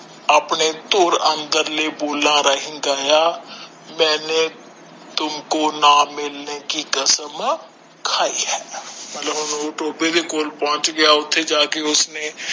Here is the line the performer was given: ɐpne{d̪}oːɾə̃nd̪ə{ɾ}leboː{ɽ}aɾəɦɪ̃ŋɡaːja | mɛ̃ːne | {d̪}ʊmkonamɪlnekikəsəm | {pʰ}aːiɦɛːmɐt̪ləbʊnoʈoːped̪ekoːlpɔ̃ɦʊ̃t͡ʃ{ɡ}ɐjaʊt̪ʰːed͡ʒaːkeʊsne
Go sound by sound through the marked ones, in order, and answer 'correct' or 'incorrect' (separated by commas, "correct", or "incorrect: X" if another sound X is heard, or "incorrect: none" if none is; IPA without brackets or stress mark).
incorrect: t̪, correct, incorrect: l, incorrect: t̪, incorrect: kʰ, correct